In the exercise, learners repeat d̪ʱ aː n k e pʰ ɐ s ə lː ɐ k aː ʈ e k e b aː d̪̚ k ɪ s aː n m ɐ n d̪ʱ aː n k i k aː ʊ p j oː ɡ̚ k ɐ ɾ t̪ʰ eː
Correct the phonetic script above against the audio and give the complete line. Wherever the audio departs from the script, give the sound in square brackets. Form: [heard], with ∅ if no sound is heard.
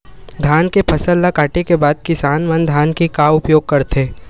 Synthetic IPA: d̪ʱ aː n k e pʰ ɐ s ə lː [a] k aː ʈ e k e b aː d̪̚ k ɪ s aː n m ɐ n d̪ʱ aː n k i k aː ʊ p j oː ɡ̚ k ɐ ɾ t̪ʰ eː